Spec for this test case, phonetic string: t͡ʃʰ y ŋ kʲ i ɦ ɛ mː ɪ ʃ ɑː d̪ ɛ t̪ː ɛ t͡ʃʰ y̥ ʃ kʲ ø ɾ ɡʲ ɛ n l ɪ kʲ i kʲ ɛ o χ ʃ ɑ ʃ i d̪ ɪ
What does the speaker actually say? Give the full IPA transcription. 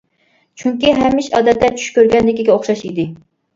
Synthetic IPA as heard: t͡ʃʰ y ŋ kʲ i ɦ ɛ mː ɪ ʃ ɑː d̪ ɛ t̪ː ɛ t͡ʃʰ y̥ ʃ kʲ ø ɾ ɡʲ ɛ n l ɪ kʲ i ɡʲ ɛ o χ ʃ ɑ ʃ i d̪ ɪ